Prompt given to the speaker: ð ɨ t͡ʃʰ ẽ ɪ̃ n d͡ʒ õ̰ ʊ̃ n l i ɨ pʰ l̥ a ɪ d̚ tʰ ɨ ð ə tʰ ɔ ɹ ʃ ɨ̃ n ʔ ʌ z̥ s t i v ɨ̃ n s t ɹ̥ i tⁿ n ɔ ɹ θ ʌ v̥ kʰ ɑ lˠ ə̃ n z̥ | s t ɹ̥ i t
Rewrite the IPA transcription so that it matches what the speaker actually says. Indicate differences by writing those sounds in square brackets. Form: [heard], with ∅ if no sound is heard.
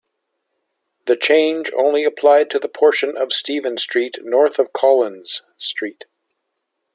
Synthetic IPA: ð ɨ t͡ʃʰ ẽ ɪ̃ n d͡ʒ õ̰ ʊ̃ n l i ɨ pʰ l̥ a ɪ d̚ tʰ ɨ ð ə [pʰ] ɔ ɹ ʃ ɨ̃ n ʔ ʌ [v̥] s t i v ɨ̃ n s t ɹ̥ i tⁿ n ɔ ɹ θ ʌ v̥ kʰ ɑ lˠ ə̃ n z̥ | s t ɹ̥ i t